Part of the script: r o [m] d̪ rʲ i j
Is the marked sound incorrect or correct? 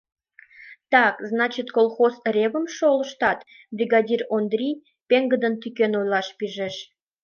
incorrect